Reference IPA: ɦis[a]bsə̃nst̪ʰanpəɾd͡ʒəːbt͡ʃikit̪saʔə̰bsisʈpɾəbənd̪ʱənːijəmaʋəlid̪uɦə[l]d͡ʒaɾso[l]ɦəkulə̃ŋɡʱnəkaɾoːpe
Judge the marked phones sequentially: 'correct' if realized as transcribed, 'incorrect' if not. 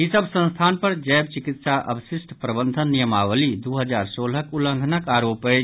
incorrect, incorrect, correct

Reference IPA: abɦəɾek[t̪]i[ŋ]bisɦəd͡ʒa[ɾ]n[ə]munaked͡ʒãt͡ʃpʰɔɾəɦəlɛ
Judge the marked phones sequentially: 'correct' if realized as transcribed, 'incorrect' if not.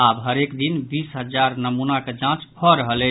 incorrect, incorrect, correct, correct

